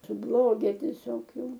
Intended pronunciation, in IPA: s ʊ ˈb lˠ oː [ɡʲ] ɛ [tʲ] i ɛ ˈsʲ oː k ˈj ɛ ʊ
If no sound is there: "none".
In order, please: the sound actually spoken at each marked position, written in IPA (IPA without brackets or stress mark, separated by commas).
ɡʲ, tʲ